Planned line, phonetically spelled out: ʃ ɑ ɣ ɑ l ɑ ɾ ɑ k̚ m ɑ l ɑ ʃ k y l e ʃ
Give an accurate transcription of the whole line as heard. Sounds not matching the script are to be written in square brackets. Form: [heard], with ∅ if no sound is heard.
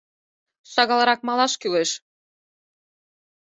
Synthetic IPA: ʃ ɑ ɣ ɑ l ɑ ɾ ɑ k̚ m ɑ l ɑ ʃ k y l e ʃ